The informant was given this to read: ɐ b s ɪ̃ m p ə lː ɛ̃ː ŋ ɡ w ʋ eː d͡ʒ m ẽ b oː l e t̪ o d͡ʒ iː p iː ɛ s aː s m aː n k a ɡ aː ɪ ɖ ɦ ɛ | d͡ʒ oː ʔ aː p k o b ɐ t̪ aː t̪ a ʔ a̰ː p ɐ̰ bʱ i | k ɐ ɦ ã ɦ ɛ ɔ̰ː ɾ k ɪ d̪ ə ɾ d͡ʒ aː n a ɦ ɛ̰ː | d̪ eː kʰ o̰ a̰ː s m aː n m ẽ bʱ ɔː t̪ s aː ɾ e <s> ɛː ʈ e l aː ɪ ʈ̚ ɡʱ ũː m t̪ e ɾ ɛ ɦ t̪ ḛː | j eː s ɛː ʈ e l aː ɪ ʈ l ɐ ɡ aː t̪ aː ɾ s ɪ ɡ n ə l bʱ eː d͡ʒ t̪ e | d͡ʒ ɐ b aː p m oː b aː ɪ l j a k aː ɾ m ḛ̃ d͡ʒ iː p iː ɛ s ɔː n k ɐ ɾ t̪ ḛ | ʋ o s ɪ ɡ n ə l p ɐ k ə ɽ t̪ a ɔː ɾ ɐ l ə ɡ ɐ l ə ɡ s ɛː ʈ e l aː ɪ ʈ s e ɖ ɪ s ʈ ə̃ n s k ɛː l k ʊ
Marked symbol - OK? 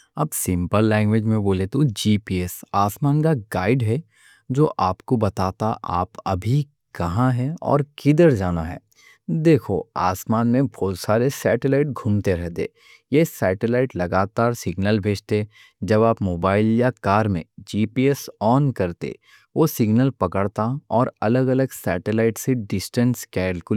yes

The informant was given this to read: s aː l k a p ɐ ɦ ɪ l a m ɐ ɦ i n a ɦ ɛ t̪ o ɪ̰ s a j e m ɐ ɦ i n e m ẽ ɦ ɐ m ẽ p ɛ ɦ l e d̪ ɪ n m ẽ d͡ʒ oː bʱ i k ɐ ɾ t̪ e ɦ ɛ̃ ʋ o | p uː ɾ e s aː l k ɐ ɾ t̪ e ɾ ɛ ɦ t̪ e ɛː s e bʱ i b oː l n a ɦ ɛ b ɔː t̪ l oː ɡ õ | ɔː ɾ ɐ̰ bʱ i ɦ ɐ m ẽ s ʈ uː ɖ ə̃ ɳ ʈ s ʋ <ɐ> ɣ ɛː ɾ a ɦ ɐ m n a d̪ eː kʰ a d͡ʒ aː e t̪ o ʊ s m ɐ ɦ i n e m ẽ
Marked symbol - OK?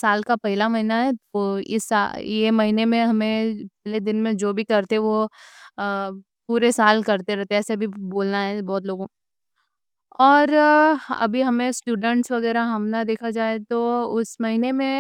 yes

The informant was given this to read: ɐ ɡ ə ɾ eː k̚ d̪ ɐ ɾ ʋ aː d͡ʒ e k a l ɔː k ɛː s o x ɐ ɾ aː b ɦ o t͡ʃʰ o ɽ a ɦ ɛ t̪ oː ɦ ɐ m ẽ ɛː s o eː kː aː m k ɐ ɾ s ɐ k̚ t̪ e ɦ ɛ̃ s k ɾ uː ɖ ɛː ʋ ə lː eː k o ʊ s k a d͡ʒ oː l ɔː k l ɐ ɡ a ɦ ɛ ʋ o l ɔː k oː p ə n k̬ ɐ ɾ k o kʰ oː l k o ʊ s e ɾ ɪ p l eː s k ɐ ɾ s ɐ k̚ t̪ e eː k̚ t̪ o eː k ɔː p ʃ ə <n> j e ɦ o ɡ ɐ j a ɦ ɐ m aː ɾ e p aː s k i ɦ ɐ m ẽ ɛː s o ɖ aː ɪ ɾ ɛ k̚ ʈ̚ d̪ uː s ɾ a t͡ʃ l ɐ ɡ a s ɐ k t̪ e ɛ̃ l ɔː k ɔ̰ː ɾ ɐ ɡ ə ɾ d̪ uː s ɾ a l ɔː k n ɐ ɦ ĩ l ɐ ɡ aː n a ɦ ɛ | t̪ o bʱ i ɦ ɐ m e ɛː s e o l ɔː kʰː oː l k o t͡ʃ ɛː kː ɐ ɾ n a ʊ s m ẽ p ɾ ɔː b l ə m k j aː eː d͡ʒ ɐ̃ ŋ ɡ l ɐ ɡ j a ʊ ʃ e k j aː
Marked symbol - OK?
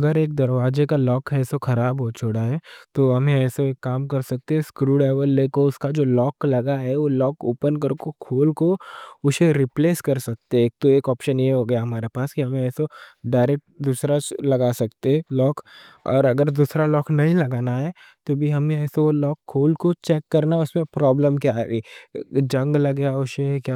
yes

